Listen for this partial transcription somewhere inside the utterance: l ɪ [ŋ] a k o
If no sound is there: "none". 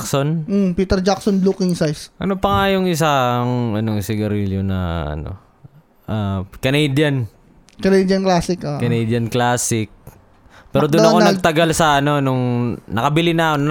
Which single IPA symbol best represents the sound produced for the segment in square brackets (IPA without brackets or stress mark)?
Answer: n